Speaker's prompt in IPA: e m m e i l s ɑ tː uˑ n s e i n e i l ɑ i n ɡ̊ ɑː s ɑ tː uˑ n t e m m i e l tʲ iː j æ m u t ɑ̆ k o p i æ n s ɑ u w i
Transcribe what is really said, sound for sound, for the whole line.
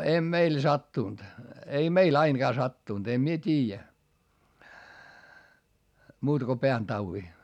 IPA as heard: e m m e i l s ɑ tː uˑ n t e i m e i l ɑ i n ɡ̊ ɑː s ɑ tː uˑ n t e m m i e tʲ iː j æ m uː t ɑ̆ k o p e æ n t ɑ u w i